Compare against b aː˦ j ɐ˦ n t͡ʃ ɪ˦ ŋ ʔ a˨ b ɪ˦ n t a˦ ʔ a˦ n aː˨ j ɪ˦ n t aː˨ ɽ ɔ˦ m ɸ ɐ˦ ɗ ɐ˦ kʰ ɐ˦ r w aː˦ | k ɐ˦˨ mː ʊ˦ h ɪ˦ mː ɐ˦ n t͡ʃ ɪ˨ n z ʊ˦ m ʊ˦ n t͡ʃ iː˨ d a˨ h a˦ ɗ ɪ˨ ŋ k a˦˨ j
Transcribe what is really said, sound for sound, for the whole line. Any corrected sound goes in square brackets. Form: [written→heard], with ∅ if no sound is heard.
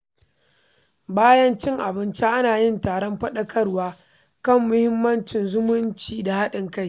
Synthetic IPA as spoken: b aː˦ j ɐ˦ n t͡ʃ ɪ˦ ŋ ʔ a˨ b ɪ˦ n [t→t͡ʃ] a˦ ʔ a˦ n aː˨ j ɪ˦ n t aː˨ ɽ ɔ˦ m ɸ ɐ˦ ɗ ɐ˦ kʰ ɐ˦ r w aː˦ | k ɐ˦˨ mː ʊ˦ h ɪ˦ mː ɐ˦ n t͡ʃ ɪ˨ n z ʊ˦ m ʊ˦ n t͡ʃ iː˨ d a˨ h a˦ ɗ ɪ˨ ŋ k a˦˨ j